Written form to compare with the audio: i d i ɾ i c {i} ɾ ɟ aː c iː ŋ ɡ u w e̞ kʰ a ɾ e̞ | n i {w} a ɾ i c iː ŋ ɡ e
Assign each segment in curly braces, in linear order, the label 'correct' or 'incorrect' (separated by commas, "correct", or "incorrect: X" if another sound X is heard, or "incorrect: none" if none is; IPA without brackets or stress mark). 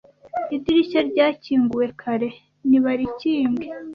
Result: incorrect: a, incorrect: β